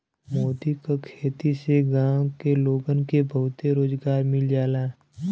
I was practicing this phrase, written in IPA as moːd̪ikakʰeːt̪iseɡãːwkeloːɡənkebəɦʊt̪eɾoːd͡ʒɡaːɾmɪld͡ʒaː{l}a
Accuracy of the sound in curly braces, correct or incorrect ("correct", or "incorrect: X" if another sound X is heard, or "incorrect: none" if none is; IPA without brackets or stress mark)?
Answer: correct